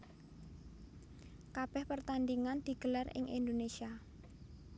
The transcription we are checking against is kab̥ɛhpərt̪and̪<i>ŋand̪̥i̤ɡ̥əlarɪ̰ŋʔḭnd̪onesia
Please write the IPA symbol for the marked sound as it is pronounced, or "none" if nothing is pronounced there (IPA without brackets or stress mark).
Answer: i